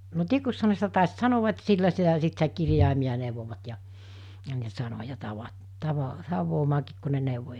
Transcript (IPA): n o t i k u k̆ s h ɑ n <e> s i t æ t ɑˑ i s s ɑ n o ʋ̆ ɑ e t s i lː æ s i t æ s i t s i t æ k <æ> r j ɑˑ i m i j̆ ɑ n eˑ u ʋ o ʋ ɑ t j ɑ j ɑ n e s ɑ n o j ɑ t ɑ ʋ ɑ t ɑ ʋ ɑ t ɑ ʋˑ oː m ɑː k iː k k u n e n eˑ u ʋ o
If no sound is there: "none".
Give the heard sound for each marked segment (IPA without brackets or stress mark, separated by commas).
e, i